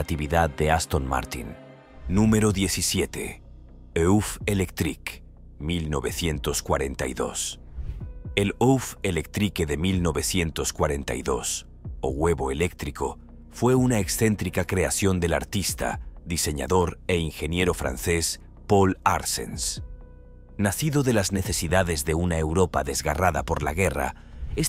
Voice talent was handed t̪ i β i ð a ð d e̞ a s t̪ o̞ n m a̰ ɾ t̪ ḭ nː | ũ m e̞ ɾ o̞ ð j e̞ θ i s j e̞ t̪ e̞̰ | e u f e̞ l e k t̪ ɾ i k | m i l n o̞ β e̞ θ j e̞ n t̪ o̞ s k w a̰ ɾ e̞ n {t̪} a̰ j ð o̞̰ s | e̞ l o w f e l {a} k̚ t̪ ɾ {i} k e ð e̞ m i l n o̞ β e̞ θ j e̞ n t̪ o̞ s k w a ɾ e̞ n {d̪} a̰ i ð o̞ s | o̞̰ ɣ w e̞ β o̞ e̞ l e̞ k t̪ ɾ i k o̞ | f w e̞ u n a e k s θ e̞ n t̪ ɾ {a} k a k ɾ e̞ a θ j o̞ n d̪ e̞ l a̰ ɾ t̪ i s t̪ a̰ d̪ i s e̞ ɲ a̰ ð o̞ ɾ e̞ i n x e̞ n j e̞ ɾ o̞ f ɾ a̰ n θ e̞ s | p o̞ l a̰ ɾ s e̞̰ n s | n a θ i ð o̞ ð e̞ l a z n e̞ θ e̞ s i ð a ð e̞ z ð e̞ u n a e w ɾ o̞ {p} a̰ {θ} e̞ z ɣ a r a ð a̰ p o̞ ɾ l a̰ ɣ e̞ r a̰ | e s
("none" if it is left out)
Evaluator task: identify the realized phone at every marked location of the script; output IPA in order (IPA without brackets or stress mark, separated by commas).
t̪, e, i, t̪, i, p, ð